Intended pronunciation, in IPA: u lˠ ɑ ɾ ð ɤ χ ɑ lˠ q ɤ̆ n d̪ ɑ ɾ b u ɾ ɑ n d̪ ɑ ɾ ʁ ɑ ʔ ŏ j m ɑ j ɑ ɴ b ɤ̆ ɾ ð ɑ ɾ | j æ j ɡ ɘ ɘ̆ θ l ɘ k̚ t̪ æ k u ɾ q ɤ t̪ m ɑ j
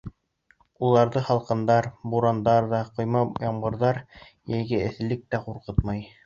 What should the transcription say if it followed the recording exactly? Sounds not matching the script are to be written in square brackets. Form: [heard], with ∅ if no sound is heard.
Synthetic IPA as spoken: u lˠ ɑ ɾ ð ɤ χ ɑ lˠ q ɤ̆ n d̪ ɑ ɾ b u ɾ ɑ n d̪ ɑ ɾ [ð] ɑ [q] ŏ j m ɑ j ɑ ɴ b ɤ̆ ɾ ð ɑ ɾ | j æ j ɡ ɘ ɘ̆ θ l ɘ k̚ t̪ æ [q] u ɾ q ɤ t̪ m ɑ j